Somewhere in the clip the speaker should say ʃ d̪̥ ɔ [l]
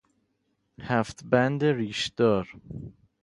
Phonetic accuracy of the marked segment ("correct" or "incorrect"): incorrect